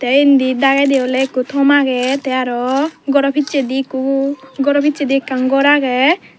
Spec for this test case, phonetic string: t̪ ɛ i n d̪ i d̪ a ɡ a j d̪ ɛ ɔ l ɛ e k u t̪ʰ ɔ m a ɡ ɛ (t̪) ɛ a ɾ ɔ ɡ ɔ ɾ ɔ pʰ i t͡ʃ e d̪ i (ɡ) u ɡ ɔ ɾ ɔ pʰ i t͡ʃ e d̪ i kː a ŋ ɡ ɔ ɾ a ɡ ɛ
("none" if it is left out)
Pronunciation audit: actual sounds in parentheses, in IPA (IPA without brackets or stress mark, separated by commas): t̪, k